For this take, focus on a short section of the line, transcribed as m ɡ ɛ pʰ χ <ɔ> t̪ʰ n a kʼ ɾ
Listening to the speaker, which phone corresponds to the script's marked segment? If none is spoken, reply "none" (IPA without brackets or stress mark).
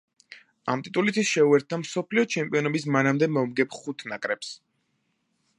u